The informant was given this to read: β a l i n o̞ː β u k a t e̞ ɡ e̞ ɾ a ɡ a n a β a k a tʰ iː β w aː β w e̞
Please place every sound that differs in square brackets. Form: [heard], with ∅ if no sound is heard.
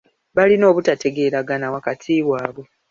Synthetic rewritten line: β a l i n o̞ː β u [t] a t e̞ ɡ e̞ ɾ a ɡ a n a [w] a k a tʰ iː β w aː β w e̞